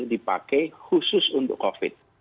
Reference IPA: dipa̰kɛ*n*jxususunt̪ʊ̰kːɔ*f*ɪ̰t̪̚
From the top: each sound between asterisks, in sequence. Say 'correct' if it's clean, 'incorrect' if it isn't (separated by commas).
incorrect, correct